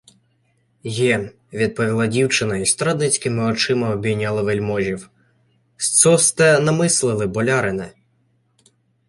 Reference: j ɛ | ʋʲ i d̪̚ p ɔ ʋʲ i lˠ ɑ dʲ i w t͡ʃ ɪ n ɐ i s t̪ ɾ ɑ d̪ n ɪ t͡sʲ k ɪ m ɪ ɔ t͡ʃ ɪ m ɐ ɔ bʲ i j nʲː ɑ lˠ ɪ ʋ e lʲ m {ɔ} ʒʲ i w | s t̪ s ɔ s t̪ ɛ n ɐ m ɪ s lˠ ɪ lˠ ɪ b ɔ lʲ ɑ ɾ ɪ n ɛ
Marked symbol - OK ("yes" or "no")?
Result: yes